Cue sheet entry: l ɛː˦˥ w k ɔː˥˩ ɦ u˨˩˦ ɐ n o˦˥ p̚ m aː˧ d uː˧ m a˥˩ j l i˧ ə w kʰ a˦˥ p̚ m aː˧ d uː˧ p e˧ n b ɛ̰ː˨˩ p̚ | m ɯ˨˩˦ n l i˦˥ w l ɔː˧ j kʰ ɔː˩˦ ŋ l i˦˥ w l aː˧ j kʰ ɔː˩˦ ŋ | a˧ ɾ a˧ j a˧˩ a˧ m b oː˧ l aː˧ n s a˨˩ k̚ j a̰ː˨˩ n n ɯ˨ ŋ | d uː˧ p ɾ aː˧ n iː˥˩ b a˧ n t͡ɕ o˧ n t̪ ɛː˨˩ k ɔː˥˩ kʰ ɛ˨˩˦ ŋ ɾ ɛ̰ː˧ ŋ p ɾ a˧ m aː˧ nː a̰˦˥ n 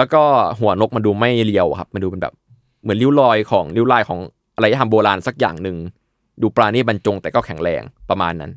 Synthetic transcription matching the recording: l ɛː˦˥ w k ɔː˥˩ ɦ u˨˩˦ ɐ n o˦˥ k̚ m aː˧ d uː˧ m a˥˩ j l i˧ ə w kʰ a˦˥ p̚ m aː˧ d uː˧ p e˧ n b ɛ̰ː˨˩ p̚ | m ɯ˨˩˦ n l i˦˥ w l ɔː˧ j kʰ ɔː˩˦ ŋ l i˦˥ w l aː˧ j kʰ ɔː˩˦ ŋ | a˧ ɾ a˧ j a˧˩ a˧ m b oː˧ l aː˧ n s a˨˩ k̚ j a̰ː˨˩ ŋ n ɯ˨ ŋ | d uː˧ p ɾ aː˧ n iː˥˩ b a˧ n t͡ɕ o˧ ŋ t̪ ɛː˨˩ k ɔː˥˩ kʰ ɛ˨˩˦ ŋ ɾ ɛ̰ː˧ ŋ p ɾ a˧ m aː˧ nː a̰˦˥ n